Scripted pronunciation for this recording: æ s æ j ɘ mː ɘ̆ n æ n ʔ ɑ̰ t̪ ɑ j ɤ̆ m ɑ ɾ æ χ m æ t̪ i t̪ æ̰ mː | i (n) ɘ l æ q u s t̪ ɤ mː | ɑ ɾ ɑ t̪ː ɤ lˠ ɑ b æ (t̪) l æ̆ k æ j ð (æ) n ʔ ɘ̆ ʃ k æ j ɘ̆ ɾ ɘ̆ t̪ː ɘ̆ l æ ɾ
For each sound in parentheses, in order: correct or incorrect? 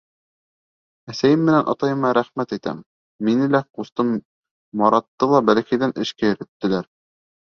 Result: correct, incorrect, correct

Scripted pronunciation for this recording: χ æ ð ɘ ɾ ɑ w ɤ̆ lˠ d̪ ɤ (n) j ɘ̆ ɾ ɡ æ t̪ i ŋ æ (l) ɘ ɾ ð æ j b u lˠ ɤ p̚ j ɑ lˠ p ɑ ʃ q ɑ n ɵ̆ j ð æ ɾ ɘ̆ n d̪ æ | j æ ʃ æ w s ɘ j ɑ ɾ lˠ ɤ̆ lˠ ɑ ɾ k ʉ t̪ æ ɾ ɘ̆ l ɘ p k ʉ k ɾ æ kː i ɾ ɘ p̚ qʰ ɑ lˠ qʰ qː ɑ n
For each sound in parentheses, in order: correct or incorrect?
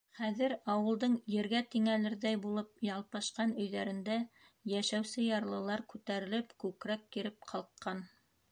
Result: incorrect, correct

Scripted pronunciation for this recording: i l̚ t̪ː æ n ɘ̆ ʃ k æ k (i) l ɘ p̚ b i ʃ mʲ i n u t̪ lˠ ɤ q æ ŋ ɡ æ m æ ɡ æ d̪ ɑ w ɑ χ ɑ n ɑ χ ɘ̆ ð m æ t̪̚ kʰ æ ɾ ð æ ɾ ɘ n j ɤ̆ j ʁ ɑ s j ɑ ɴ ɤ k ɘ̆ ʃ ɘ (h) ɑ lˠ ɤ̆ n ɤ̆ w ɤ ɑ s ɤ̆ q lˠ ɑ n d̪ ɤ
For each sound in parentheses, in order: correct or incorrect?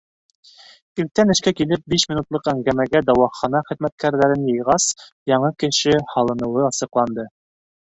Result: correct, correct

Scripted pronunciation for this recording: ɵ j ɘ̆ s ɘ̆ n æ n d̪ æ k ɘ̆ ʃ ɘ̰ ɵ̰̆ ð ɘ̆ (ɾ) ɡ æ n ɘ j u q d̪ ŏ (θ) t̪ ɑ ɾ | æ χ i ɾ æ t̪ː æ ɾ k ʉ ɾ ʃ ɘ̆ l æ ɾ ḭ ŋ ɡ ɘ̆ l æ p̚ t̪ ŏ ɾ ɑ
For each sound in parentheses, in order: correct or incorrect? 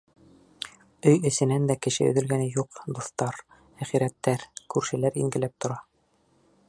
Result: incorrect, correct

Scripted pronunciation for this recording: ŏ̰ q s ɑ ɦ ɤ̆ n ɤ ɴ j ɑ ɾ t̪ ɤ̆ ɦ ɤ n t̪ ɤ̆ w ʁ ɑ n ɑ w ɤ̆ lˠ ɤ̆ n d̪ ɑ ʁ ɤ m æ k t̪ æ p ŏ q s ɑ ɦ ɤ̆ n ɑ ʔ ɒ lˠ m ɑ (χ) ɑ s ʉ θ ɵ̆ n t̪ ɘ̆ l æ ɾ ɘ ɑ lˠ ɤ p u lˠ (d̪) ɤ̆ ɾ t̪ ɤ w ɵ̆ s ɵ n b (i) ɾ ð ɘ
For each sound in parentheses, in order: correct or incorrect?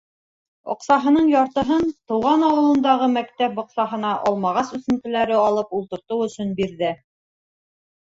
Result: incorrect, incorrect, correct

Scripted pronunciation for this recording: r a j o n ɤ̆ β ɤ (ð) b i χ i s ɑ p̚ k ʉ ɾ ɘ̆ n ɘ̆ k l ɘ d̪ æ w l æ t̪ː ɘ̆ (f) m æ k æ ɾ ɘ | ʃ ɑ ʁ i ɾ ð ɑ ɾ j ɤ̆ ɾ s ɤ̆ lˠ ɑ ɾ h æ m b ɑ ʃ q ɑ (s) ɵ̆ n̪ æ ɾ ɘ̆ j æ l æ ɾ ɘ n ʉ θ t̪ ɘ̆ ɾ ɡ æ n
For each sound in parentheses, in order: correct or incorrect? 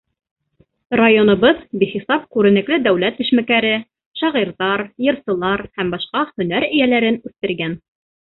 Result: correct, incorrect, incorrect

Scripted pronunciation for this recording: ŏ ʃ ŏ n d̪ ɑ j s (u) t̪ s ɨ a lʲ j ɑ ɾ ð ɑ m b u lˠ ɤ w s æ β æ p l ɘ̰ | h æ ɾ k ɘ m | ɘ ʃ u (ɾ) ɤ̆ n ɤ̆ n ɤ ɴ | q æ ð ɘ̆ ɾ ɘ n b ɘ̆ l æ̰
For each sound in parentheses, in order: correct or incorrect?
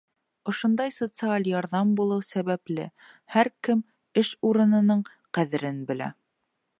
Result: incorrect, correct

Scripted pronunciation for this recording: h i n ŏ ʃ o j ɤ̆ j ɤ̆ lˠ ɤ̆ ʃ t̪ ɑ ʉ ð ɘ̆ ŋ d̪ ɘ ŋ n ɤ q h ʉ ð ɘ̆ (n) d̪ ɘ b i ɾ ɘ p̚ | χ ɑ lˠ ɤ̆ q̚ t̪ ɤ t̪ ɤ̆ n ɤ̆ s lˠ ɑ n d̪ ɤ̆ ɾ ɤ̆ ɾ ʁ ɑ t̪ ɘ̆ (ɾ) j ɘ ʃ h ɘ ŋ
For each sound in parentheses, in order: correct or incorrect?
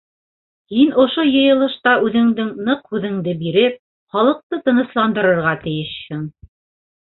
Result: incorrect, incorrect

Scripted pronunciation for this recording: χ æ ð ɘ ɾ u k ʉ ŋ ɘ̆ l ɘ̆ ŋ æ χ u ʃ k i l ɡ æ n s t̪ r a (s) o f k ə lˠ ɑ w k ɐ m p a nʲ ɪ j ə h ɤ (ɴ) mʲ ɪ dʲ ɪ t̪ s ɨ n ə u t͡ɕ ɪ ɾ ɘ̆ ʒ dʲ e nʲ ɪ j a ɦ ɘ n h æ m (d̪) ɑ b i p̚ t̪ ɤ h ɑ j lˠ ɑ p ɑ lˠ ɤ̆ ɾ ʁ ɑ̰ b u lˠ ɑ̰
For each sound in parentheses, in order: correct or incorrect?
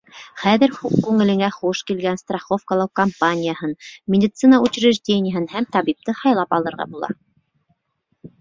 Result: incorrect, incorrect, incorrect

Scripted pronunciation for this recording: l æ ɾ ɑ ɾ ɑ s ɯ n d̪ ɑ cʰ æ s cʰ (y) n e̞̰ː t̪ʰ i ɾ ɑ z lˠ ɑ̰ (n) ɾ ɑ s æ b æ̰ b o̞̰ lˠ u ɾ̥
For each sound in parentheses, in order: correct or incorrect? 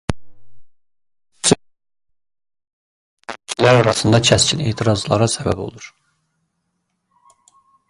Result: incorrect, incorrect

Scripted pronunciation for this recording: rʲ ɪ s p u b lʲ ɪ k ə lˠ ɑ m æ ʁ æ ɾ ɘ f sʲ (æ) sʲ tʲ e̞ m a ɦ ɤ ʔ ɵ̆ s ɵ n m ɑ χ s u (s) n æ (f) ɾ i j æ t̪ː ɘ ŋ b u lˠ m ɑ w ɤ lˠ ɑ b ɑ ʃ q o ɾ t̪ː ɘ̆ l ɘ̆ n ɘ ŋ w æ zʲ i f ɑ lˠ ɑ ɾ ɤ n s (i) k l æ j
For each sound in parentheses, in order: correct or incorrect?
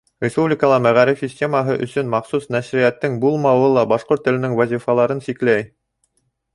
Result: incorrect, correct, incorrect, correct

